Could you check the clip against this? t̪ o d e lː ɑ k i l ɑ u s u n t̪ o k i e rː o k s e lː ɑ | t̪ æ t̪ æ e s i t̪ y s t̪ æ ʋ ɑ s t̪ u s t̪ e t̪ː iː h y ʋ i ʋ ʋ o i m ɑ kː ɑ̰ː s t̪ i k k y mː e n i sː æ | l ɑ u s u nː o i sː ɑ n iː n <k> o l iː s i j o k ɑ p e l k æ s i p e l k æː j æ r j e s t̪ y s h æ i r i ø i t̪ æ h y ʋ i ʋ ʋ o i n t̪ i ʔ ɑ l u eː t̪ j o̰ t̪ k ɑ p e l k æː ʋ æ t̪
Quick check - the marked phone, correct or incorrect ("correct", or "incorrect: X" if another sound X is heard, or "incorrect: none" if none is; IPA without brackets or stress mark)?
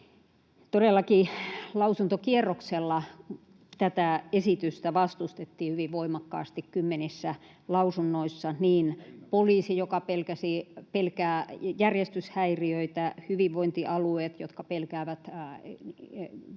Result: incorrect: p